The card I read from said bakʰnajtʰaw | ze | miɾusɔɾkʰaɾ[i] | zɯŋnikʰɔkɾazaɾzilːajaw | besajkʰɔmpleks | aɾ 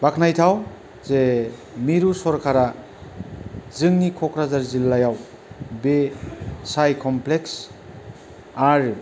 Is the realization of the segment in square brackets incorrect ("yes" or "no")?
yes